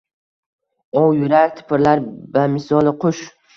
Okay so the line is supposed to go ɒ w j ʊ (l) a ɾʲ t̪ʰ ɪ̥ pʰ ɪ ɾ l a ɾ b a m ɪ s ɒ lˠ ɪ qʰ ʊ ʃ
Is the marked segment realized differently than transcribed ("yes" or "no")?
yes